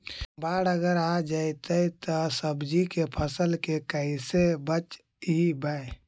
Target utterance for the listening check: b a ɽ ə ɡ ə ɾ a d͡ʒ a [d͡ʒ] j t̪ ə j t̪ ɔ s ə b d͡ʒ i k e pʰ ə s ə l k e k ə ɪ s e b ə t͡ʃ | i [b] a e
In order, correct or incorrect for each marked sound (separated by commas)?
incorrect, correct